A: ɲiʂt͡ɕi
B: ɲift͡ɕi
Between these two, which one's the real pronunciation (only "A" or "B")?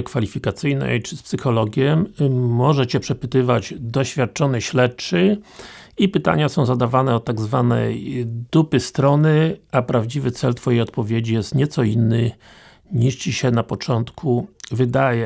A